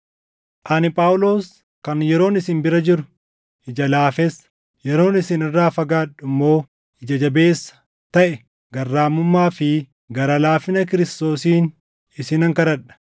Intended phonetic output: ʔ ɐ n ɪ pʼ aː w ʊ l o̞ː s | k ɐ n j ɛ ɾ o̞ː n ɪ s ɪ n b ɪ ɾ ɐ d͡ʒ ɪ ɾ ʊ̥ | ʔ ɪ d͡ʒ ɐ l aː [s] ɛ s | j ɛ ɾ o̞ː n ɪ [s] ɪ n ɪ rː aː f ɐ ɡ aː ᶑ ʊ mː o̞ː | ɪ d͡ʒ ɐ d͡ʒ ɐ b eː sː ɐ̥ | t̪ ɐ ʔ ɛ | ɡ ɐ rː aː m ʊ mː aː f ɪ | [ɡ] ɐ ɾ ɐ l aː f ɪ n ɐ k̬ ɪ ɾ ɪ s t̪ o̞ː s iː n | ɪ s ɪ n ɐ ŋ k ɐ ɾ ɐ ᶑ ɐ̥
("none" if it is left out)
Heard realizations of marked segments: f, s, ɡ

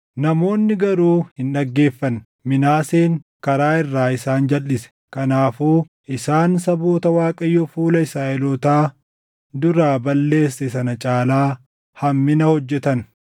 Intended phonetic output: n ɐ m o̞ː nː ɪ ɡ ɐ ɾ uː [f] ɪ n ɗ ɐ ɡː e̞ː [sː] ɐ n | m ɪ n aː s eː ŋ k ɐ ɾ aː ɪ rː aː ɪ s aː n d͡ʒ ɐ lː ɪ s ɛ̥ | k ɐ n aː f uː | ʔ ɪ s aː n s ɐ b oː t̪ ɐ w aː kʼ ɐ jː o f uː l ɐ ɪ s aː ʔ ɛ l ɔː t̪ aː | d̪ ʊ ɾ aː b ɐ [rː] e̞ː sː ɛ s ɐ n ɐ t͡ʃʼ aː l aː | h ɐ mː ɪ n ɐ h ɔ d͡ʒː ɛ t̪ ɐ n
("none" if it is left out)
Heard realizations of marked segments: h, fː, lː

